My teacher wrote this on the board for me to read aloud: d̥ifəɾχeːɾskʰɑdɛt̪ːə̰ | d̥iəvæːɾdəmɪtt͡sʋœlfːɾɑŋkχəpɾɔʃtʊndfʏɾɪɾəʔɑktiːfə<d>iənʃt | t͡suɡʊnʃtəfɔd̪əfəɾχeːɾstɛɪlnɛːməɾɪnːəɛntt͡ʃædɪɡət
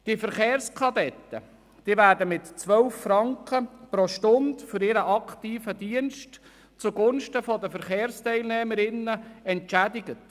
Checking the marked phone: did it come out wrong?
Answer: no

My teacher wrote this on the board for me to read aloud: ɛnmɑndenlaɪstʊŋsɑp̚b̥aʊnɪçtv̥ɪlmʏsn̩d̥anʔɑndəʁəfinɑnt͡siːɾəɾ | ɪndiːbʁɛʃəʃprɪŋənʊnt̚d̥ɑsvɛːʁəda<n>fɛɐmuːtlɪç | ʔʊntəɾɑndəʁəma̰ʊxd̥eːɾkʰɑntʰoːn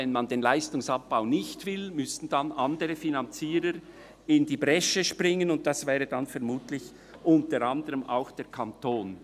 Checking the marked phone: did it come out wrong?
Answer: no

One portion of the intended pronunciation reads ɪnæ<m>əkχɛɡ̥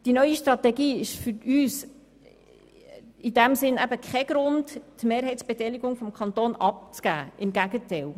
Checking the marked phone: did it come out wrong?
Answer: yes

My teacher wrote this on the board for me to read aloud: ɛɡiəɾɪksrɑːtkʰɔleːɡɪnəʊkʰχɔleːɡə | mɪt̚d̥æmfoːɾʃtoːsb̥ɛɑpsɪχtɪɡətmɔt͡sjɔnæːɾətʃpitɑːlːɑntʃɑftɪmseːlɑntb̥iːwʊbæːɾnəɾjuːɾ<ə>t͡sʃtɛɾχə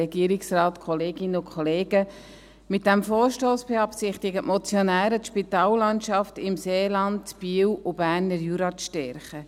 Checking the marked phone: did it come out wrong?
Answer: yes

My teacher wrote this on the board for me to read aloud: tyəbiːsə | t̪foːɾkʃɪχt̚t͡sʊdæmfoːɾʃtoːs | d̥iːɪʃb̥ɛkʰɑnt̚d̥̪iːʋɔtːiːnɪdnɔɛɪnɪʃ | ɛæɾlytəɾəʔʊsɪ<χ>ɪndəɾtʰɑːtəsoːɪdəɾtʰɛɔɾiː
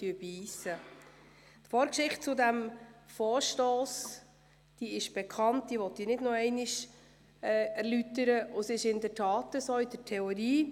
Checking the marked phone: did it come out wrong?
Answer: yes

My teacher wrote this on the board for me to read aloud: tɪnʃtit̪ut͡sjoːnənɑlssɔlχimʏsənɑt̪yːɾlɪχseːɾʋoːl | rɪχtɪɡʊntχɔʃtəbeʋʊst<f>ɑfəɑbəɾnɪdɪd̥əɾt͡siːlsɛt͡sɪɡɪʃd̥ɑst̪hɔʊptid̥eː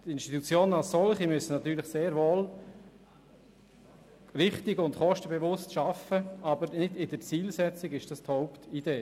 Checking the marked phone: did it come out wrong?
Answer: yes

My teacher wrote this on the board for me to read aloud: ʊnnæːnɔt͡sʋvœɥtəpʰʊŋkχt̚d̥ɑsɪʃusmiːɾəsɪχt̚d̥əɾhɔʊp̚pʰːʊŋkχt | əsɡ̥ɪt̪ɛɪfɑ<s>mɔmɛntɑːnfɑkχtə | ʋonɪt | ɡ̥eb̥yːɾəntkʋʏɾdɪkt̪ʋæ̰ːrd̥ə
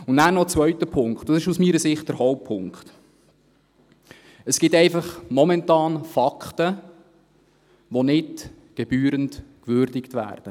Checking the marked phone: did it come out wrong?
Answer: yes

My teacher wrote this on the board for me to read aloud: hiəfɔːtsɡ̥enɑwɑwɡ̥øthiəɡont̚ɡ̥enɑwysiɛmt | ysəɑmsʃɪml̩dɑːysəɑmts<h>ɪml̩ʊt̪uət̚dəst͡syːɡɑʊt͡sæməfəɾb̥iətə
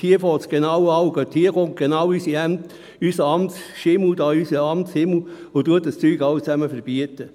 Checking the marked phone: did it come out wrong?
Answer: no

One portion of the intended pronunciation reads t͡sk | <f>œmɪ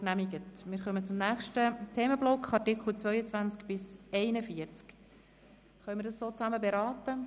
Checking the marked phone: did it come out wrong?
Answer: yes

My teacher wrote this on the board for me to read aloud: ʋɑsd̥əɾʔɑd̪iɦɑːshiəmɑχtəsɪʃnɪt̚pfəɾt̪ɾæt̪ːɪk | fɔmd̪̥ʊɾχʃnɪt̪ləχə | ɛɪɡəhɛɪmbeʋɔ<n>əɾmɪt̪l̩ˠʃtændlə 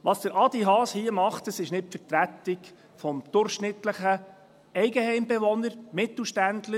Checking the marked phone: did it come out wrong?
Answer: no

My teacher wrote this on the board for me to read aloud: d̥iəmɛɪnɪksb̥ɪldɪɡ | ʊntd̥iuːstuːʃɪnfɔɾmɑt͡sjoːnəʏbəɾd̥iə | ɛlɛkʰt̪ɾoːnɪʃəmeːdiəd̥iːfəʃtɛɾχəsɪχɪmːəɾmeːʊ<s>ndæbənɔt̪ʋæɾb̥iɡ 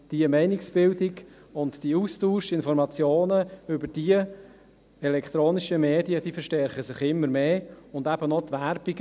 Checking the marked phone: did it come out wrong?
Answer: yes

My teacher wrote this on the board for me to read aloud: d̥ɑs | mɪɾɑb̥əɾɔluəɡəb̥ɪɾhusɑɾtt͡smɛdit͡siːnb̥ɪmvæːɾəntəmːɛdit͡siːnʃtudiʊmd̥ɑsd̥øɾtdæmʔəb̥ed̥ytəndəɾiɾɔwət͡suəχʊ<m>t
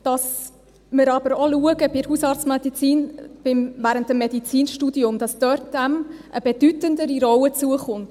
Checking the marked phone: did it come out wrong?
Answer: yes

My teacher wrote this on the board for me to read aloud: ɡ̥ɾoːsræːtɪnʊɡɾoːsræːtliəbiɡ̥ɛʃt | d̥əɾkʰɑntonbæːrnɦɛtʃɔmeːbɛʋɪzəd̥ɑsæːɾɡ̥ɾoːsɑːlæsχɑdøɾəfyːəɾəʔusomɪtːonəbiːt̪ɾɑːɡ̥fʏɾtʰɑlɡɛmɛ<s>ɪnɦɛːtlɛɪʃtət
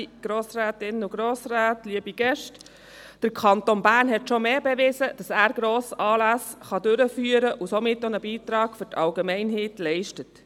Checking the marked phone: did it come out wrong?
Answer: yes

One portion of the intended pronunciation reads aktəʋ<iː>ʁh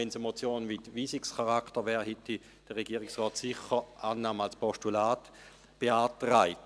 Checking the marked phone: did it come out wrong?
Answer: yes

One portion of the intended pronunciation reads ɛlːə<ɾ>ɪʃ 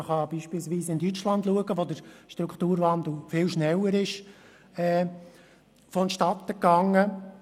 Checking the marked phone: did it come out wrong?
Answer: no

